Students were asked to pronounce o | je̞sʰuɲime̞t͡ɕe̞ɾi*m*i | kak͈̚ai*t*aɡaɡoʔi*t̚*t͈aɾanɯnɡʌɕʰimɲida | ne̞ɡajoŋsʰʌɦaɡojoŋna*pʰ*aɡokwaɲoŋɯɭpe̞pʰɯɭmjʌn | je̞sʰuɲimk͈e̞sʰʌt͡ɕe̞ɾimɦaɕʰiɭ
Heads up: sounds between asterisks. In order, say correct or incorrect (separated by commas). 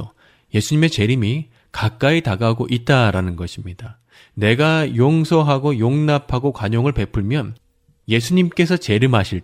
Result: correct, correct, correct, correct